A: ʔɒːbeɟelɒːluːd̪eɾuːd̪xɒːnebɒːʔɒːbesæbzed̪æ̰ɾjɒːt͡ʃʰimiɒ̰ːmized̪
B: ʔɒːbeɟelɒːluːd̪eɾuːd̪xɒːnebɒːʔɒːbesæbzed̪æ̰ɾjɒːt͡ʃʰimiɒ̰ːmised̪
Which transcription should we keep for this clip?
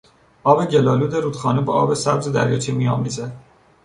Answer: A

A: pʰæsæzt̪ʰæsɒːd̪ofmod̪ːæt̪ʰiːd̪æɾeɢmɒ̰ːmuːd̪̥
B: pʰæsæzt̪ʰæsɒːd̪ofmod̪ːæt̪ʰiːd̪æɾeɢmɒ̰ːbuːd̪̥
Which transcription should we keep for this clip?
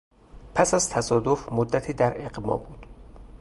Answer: B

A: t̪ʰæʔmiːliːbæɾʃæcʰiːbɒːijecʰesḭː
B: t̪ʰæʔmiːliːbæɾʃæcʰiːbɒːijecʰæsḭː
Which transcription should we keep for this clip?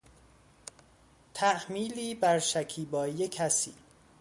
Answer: B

